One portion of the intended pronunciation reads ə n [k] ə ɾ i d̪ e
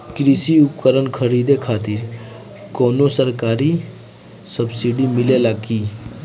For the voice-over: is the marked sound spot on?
no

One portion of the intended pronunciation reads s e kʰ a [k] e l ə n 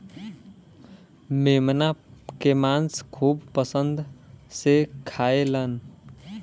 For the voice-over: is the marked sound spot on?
no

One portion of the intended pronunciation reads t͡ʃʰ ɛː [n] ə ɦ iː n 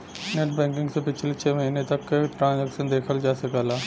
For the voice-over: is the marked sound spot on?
no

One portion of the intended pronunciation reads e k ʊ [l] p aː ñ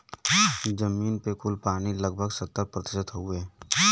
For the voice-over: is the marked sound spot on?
yes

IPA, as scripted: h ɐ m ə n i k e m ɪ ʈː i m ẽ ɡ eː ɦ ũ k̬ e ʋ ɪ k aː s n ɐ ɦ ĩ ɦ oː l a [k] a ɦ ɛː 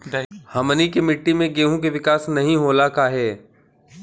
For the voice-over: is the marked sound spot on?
yes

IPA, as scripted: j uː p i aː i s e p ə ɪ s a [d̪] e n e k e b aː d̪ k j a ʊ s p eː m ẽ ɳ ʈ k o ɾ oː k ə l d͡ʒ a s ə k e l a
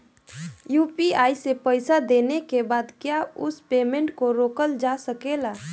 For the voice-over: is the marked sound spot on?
yes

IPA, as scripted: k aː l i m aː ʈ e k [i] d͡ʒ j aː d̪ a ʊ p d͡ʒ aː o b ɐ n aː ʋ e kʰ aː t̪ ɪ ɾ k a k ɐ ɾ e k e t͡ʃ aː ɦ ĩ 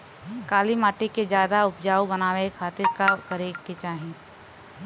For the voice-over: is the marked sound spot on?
no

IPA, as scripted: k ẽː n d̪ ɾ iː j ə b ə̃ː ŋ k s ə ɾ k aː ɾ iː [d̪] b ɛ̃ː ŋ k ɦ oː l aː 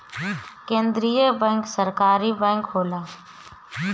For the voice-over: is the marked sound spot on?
no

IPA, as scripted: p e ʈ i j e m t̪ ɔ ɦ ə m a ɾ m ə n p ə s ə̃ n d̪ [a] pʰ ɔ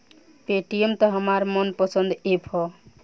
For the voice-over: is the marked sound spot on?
no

